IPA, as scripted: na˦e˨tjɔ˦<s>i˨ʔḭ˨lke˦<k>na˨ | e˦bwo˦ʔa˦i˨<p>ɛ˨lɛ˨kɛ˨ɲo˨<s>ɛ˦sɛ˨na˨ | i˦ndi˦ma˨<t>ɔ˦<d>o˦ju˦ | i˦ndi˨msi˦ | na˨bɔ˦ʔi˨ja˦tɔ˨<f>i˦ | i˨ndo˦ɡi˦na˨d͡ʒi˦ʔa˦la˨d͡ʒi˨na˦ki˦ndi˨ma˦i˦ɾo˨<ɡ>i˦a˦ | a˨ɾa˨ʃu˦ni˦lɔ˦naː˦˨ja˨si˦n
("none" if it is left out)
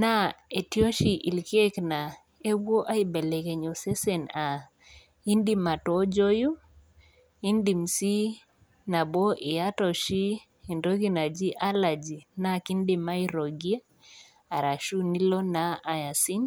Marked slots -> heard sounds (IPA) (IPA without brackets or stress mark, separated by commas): ʃ, k, b, s, t, d͡ʒ, ʃ, ɡ